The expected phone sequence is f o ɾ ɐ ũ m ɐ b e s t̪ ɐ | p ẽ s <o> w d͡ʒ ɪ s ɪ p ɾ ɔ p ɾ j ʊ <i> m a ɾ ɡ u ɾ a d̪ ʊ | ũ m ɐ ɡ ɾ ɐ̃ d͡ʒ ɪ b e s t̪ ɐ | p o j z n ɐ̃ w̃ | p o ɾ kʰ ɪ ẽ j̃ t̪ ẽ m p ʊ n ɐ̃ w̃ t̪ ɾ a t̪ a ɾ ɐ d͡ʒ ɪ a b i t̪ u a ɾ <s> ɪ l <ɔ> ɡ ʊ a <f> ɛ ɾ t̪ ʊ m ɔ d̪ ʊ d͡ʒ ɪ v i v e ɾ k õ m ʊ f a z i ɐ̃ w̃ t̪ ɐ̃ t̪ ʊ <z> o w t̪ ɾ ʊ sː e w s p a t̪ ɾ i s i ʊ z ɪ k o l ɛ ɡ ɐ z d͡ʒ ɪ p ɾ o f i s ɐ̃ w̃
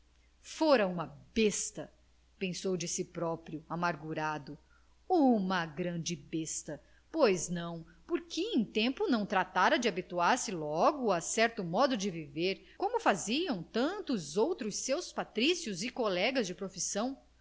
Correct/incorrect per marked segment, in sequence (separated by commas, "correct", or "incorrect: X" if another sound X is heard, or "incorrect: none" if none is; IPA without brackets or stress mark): correct, incorrect: a, correct, correct, incorrect: s, correct